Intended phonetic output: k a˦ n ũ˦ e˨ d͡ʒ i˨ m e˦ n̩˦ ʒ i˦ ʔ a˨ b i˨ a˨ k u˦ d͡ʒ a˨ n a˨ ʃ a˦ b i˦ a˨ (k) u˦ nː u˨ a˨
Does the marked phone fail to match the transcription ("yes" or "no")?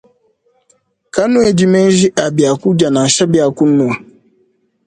no